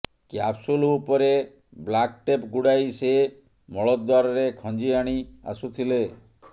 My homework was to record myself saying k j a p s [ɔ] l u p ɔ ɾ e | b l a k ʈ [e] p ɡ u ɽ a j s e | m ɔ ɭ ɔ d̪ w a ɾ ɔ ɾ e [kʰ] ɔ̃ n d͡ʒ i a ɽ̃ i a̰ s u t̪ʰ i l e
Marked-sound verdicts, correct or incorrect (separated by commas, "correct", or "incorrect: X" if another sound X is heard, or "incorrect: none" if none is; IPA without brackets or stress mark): incorrect: u, correct, correct